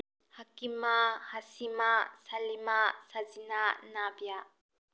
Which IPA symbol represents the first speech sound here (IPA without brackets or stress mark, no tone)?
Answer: h